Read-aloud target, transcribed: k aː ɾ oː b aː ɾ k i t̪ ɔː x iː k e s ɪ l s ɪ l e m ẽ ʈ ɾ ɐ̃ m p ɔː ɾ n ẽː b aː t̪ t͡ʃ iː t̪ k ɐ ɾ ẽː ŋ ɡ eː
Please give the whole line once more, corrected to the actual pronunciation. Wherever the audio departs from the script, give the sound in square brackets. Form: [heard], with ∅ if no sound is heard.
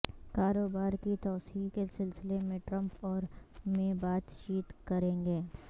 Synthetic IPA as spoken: k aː ɾ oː b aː ɾ k i t̪ ɔː [s] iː k e s ɪ l s ɪ l e m ẽ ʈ ɾ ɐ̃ m p ɔː ɾ [m] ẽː b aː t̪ t͡ʃ iː t̪ k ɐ ɾ ẽː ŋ ɡ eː